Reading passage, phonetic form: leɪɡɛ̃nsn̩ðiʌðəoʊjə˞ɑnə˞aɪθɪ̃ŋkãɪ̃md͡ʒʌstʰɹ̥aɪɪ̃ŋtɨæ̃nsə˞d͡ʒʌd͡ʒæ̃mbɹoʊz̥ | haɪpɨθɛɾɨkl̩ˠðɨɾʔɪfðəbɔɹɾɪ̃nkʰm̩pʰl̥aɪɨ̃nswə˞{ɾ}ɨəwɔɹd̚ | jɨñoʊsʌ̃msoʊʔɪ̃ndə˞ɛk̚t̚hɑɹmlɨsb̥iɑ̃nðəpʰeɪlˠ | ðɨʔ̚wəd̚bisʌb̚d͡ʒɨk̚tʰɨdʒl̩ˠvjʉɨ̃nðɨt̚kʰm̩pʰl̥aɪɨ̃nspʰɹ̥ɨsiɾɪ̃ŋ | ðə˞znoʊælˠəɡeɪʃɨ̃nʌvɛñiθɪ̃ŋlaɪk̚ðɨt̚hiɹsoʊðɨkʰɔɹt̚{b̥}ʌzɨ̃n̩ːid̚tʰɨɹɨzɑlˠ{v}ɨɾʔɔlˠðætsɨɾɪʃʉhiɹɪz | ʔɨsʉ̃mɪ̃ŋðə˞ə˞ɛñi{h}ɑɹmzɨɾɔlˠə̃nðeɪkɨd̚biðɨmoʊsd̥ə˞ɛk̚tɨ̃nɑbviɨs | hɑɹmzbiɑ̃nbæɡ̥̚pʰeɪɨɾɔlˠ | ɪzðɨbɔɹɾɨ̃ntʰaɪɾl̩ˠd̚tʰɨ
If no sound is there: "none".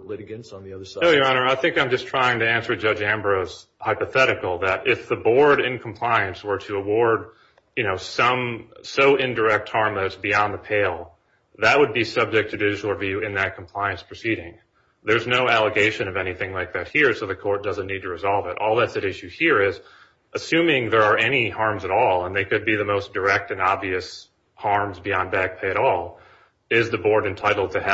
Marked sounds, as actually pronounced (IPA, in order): ɾ, d̥, v, h

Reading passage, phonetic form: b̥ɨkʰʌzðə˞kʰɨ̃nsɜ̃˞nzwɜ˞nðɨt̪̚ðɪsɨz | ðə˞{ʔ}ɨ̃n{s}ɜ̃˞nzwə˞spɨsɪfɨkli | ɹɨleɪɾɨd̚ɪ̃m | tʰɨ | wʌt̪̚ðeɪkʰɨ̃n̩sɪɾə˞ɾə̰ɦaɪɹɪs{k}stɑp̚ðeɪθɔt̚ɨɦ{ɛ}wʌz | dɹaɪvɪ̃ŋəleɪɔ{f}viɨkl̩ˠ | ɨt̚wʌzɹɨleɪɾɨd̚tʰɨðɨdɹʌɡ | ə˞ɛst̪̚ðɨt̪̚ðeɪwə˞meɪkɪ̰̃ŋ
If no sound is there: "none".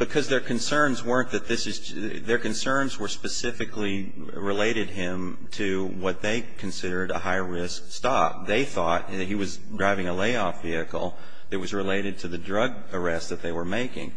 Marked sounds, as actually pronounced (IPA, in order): k, s, k, i, f

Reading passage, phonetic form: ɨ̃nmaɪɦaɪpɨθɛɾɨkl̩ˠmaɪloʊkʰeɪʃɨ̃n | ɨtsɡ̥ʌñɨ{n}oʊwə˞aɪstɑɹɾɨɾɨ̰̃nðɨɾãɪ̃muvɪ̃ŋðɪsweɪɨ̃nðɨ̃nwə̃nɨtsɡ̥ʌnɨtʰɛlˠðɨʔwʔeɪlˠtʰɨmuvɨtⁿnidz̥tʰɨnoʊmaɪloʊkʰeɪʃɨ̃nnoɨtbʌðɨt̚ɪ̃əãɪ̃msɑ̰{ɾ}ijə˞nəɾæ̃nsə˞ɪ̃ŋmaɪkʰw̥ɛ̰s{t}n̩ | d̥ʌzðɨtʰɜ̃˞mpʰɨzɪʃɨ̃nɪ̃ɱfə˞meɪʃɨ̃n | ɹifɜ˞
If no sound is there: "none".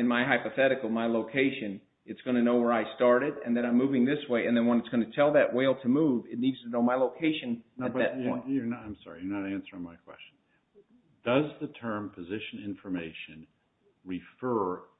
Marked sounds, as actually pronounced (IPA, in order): n, ɹ, t͡ʃ

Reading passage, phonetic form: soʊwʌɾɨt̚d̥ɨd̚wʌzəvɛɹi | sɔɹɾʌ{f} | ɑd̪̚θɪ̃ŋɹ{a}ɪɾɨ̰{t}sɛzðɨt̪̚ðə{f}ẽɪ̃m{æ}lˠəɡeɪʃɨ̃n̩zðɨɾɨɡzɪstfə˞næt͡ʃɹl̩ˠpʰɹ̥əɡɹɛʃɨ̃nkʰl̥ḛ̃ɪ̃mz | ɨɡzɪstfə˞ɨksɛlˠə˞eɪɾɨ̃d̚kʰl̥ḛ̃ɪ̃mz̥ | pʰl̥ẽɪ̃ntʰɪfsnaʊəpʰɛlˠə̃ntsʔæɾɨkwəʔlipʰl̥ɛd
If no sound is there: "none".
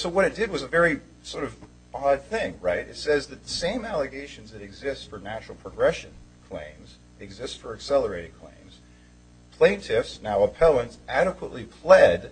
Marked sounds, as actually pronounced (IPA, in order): v, a, t, s, æ

